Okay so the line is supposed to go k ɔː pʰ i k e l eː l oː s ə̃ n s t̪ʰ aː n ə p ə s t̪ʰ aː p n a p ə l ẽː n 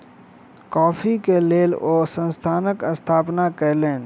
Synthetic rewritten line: k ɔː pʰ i k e l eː l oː s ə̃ n s t̪ʰ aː n ə k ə s t̪ʰ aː p n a k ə l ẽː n